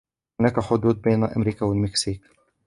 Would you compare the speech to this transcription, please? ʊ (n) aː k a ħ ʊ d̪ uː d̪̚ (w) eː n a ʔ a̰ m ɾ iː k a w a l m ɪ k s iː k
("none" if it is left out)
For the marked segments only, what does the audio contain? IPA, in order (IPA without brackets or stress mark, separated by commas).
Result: n, b